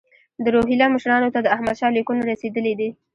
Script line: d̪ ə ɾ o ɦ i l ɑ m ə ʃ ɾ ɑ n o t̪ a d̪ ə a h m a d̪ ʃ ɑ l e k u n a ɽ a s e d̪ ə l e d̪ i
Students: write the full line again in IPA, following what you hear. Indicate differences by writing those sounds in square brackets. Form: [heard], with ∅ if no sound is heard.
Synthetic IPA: d̪ ə ɾ o ɦ i l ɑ m ə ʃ ɾ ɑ n o t̪ a d̪ ə a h m a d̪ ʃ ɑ l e k u n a [ɾ] a s e d̪ ə l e d̪ i

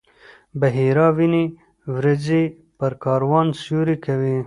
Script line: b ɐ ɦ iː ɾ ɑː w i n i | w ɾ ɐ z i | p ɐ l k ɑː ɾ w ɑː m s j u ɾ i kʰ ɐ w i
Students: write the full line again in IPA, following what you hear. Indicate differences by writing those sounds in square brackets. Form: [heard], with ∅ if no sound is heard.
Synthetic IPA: b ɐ ɦ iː ɾ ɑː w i n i | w ɾ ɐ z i | p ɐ [ɾ] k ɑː ɾ w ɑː [n] s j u ɾ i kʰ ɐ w i

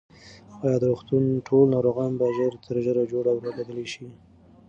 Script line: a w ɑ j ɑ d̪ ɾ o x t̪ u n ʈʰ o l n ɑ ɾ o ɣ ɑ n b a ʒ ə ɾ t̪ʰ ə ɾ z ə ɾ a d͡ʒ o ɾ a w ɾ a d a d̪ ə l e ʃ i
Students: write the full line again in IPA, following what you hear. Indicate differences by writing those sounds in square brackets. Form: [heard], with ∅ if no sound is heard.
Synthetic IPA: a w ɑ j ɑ d̪ ɾ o x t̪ u n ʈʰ o l n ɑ ɾ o ɣ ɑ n b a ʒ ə ɾ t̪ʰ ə ɾ [ʒ] ə ɾ a d͡ʒ o [ɽ] a w ɾ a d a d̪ ə l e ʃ i

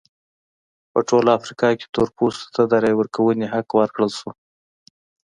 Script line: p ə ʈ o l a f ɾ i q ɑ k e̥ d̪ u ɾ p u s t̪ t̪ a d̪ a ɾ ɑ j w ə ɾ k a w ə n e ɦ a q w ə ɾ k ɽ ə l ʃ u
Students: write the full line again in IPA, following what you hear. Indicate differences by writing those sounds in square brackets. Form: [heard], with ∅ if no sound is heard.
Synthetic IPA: p ə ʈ o l a f ɾ i [k] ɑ k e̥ [t̪] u ɾ p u s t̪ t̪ a d̪ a ɾ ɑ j w ə ɾ k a w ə n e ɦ a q w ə ɾ k ɽ ə l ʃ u

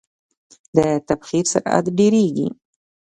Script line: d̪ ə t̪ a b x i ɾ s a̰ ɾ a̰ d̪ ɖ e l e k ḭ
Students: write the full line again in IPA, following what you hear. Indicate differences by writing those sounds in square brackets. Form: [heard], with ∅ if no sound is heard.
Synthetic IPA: d̪ ə t̪ a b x i ɾ s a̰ ɾ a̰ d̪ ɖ e [ɾ] e [ɡ] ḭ

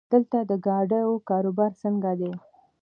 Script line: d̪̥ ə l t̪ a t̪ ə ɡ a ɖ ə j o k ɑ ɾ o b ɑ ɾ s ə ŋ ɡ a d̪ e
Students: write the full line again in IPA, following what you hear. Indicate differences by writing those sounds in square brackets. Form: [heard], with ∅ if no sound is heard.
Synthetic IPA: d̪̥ ə l t̪ a [d̪] ə ɡ [ɑ] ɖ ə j o k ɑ ɾ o b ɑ ɾ s ə ŋ ɡ a d̪ e

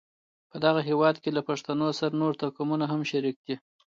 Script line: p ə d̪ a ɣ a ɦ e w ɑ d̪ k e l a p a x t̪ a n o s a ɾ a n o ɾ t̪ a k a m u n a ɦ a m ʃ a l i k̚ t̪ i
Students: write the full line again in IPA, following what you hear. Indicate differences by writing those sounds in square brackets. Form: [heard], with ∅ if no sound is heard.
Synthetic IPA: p ə d̪ a ɣ a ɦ e w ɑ d̪ k e l a p a [ʂ] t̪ a n o s a ɾ a n o ɾ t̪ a k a m u n a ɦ a m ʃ a [ɾ] i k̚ [d̪] i

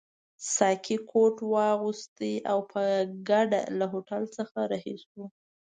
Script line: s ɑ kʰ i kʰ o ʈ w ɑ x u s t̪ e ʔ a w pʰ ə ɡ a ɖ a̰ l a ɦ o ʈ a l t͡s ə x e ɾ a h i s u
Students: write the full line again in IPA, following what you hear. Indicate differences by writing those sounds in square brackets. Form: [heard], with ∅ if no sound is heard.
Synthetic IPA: s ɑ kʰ i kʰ o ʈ w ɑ [ɣ] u s t̪ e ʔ a w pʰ ə ɡ a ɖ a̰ l a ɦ o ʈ a l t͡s ə x [a] ɾ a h i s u

